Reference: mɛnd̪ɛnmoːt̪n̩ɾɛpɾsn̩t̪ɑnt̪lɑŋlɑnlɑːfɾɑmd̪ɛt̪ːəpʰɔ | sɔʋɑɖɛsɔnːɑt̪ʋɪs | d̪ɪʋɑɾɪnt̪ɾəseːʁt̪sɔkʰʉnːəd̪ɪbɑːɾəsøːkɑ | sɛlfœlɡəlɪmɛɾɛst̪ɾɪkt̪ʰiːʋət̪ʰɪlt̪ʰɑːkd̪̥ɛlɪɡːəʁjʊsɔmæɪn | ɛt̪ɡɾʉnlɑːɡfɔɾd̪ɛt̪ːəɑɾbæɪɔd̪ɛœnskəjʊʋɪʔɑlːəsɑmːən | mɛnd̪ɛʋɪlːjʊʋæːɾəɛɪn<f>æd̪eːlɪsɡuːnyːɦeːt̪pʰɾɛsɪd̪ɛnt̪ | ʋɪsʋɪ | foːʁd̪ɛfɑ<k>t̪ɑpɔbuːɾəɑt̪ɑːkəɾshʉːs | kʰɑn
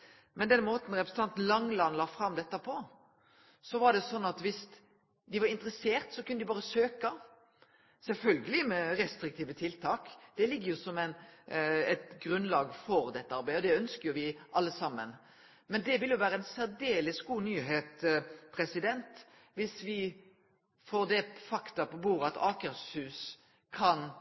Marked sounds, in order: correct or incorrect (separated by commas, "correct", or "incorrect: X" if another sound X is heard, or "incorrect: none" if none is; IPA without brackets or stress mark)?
incorrect: s, correct